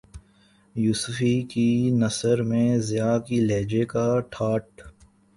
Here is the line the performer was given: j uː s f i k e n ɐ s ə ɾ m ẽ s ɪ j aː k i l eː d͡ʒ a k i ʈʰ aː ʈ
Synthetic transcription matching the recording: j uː s f i k i n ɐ s ə ɾ m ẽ z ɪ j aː k i l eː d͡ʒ e k a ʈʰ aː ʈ